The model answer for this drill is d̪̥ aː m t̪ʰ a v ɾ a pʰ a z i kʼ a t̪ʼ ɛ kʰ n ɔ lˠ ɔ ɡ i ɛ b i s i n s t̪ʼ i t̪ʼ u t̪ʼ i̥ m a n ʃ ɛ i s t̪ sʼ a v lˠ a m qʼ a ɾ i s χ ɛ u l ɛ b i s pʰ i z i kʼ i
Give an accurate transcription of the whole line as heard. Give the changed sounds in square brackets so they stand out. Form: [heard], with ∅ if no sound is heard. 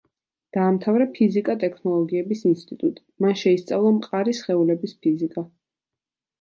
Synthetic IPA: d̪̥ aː m t̪ʰ a v ɾ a pʰ [i] z i kʼ a t̪ʼ ɛ kʰ n ɔ lˠ ɔ ɡ i ɛ b i s i n s t̪ʼ i t̪ʼ u t̪ʼ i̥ m a n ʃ ɛ i s t̪ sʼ a v lˠ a m qʼ a ɾ i s χ ɛ u l ɛ b i s pʰ i z i kʼ [a]